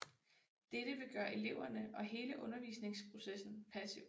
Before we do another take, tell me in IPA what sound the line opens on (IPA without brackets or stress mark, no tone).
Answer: d̥